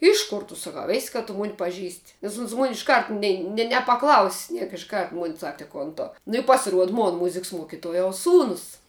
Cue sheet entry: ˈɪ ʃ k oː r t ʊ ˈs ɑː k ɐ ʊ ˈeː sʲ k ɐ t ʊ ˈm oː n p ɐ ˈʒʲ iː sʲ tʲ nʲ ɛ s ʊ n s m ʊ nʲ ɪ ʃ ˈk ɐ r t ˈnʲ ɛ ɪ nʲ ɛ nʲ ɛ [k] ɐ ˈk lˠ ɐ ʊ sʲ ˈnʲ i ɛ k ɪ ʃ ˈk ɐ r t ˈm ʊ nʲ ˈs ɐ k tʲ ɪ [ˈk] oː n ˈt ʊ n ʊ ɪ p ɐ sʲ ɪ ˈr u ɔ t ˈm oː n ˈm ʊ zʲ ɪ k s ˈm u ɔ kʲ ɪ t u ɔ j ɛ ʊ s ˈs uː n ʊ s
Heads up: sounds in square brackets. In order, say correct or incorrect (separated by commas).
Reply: incorrect, correct